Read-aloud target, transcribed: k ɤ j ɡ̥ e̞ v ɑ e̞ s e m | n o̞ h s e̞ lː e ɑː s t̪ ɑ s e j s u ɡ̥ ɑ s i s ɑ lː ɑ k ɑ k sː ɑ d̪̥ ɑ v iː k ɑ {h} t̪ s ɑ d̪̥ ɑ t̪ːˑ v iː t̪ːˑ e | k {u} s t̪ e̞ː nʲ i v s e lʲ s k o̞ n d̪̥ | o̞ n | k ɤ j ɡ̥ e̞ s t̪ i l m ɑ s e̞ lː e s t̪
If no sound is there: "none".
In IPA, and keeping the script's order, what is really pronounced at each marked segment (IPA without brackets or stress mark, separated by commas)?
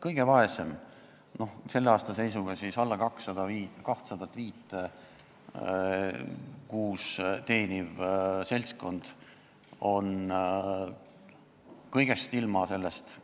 h, uː